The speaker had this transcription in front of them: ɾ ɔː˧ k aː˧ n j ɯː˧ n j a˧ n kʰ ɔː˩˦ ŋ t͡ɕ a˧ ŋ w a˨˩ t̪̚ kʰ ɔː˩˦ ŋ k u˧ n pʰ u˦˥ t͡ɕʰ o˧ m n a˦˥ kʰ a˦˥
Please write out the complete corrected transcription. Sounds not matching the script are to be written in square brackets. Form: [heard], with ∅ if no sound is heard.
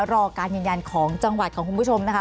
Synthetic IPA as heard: ɾ ɔː˧ k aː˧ n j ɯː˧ n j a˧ n kʰ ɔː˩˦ ŋ t͡ɕ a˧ ŋ w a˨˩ t̪̚ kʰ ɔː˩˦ ŋ k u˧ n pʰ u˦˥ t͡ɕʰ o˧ m n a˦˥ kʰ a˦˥